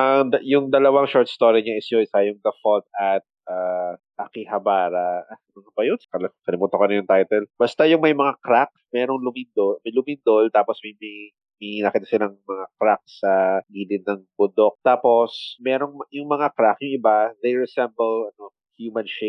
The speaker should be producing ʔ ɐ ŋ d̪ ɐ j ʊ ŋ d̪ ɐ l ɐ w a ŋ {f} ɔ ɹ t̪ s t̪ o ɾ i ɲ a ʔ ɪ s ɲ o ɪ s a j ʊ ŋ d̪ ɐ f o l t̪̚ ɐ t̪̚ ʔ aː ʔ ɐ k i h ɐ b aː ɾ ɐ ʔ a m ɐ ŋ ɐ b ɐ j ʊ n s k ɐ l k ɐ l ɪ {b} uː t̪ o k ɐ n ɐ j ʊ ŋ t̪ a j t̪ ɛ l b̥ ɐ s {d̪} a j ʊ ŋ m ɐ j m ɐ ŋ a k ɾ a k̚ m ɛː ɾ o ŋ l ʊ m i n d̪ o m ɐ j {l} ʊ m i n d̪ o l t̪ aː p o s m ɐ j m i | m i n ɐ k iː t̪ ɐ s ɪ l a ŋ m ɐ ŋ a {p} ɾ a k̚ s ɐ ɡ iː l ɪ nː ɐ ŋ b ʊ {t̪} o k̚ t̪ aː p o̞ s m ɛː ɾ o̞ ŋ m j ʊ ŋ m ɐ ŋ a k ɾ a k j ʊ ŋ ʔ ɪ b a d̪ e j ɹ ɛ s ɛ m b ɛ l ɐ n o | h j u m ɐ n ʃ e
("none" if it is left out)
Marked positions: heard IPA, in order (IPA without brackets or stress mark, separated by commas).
ʃ, m, t̪, l, k, d̪